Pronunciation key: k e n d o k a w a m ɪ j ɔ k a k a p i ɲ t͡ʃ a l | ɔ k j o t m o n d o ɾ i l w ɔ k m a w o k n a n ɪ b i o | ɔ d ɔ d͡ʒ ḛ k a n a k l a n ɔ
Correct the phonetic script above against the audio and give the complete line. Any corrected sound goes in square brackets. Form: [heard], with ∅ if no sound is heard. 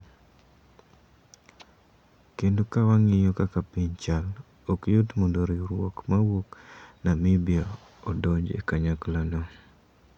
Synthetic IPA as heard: k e n d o k a w a [ŋ] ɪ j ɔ k a k a p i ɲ t͡ʃ a l | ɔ k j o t m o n d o ɾ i [ɾ] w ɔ k m a w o k n a [m] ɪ b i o | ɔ d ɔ d͡ʒ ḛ k a [ɲ] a k l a n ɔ